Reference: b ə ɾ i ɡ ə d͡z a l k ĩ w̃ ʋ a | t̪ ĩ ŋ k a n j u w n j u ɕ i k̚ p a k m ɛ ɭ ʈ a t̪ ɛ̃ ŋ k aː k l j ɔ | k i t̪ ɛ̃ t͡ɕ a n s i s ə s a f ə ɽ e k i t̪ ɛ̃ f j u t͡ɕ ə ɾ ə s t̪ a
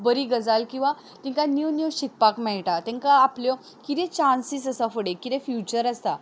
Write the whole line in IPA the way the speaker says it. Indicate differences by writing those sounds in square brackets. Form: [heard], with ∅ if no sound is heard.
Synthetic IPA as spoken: b ə ɾ i ɡ ə d͡z a l k ĩ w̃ ʋ a | t̪ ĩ ŋ k a n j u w n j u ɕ i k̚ p a k m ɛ ɭ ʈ a t̪ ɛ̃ ŋ k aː [p] l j ɔ | k i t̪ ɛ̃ t͡ɕ a n s i s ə s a f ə ɽ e k i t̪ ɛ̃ f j u t͡ɕ ə ɾ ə s t̪ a